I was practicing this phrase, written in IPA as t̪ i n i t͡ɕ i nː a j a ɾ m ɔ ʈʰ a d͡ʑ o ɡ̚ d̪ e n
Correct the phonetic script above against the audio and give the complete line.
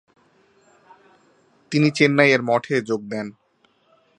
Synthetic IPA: t̪ i n i t͡ɕ e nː a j e ɾ m ɔ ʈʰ e d͡ʑ o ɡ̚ d̪ ɛ n